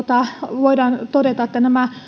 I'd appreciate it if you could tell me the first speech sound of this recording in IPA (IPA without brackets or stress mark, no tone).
t̪